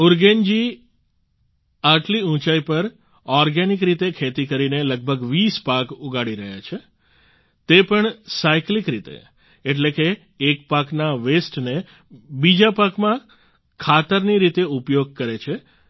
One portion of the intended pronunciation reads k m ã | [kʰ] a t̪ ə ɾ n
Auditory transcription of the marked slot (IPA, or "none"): kʰ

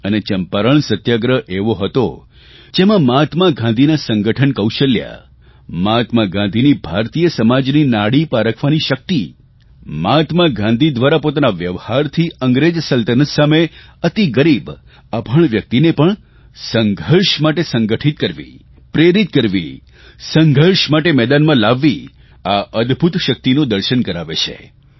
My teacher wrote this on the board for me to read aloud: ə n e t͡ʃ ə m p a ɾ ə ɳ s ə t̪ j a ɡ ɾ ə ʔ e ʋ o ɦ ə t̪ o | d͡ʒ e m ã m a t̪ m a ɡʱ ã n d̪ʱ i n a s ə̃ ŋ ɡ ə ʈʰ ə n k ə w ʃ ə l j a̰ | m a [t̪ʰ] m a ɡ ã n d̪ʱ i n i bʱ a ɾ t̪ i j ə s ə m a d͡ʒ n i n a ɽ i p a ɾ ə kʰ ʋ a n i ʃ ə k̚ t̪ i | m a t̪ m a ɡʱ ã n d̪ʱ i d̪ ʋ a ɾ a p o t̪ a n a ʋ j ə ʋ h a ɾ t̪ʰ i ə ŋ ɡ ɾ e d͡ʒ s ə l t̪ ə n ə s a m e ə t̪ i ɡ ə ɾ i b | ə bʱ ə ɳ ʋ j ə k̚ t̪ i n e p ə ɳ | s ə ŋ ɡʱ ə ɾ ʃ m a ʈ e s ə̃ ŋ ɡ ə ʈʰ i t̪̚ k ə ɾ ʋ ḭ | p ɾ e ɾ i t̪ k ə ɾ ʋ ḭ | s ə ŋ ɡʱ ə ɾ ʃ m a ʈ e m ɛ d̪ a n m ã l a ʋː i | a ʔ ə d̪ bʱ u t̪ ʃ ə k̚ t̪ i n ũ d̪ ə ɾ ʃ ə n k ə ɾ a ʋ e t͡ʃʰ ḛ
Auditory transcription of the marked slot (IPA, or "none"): t̪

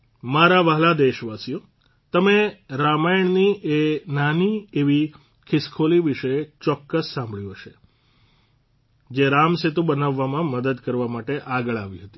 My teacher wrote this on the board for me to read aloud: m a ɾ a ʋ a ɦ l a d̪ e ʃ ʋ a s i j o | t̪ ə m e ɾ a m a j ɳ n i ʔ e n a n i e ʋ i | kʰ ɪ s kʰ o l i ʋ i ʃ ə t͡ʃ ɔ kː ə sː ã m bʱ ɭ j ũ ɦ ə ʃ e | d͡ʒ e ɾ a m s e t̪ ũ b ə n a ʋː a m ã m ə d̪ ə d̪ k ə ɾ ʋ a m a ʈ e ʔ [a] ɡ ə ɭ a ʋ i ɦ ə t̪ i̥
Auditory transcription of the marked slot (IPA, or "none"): a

